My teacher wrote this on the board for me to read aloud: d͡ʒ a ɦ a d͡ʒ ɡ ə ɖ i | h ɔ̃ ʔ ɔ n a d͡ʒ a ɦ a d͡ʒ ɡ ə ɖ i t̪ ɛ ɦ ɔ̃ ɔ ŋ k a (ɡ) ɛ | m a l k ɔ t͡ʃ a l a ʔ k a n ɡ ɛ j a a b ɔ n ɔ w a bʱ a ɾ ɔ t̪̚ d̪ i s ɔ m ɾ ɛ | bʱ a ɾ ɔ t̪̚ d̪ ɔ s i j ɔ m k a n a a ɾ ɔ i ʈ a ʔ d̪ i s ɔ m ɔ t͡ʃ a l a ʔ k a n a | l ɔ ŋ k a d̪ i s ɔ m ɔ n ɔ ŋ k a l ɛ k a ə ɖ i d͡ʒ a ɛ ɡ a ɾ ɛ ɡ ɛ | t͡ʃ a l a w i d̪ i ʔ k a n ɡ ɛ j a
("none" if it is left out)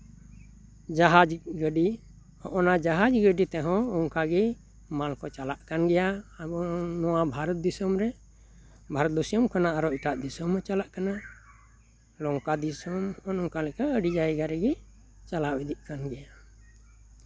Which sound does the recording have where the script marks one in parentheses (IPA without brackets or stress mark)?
ɡ